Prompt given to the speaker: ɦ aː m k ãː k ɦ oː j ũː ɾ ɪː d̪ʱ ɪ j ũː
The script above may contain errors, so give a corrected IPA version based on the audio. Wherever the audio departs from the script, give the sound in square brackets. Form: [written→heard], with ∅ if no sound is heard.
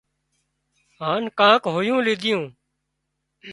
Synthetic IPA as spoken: ɦ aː [m→n] k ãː k ɦ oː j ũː [ɾ→l] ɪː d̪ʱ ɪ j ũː